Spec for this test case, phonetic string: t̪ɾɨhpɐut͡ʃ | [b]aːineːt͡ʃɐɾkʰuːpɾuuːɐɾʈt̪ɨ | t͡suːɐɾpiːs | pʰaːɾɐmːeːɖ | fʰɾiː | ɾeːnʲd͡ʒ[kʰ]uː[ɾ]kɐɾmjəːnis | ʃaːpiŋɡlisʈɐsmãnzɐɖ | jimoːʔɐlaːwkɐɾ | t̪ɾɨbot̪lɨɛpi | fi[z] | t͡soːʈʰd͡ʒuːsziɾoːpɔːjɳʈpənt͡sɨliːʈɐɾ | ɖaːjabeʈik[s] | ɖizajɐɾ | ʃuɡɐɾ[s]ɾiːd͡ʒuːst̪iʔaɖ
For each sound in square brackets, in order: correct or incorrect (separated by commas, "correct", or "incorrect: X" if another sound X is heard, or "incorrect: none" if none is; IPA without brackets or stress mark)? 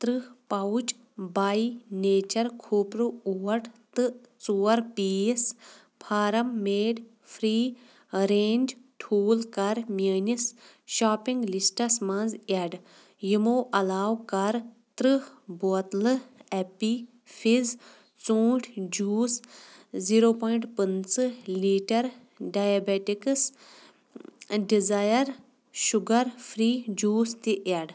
correct, incorrect: ʈʰ, incorrect: l, correct, correct, incorrect: f